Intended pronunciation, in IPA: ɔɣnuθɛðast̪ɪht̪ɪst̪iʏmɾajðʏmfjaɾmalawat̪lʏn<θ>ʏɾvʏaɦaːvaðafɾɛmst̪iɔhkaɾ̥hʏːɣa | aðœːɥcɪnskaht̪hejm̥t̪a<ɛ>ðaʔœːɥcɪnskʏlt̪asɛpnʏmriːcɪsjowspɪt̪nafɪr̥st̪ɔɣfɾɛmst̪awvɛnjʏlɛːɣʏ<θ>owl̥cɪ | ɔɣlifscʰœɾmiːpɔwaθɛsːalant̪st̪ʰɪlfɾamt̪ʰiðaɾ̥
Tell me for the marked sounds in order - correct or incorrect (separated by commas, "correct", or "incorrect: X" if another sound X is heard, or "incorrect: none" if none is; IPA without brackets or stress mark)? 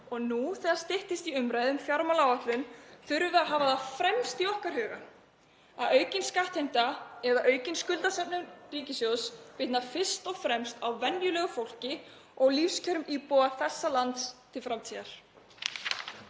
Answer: correct, correct, incorrect: f